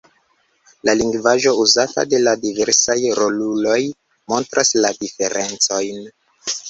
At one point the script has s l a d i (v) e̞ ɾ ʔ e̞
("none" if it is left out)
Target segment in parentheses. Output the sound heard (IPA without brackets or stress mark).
f